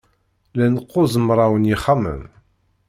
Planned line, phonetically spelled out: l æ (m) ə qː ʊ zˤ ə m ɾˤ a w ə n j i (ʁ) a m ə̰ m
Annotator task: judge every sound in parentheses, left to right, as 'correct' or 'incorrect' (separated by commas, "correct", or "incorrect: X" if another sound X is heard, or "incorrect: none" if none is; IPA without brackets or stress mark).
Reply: incorrect: n, incorrect: χ